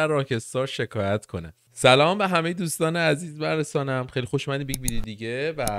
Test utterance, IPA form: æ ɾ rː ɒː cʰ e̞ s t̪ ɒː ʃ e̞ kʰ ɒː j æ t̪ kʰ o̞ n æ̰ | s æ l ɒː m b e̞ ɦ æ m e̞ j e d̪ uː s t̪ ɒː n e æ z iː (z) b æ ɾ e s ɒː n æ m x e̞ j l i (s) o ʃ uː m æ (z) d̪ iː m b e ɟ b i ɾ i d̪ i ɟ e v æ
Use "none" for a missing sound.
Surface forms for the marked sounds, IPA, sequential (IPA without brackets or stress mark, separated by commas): z, x, none